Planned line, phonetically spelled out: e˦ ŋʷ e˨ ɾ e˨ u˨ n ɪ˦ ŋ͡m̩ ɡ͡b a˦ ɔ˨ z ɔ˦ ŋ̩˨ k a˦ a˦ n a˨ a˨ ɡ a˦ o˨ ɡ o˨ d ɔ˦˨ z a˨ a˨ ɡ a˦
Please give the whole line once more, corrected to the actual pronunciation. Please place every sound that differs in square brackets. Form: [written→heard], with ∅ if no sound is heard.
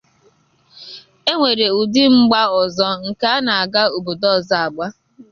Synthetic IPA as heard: e˦ ŋʷ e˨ ɾ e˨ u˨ [n→d] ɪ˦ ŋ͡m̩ ɡ͡b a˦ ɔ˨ z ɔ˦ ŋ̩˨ k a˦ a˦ n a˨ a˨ ɡ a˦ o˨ [ɡ→b] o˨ d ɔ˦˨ z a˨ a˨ [ɡ→ɡ͡b] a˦